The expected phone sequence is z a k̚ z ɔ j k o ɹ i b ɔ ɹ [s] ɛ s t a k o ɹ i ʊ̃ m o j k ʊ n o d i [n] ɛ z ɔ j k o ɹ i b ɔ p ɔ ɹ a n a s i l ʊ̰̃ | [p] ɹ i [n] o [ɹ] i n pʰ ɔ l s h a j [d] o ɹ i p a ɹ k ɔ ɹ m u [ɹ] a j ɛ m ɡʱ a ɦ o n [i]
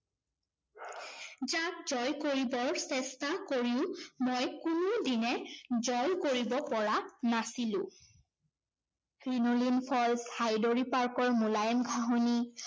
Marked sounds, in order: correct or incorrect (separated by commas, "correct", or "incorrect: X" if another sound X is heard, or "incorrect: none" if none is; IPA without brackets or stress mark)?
correct, correct, incorrect: k, correct, incorrect: l, correct, incorrect: l, correct